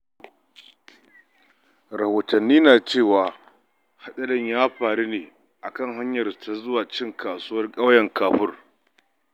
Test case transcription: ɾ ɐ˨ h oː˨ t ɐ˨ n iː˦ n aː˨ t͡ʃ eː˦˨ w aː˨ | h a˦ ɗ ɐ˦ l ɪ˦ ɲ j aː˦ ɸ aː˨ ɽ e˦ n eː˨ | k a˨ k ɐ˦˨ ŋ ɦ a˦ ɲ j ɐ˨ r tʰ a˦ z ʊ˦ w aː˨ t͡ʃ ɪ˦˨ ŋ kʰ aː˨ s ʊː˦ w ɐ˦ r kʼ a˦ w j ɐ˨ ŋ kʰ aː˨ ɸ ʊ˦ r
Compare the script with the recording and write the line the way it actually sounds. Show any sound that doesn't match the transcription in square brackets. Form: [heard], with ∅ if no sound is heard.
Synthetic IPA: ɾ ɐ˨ h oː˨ t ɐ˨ [nː] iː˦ n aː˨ t͡ʃ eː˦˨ w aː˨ | h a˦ ɗ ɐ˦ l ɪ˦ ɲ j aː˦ ɸ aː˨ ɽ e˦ n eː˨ | [ʔ] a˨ k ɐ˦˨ ŋ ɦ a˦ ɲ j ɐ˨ r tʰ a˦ z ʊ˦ w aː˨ t͡ʃ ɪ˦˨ ŋ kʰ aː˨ s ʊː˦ w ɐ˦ r kʼ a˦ w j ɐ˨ ŋ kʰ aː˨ ɸ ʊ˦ r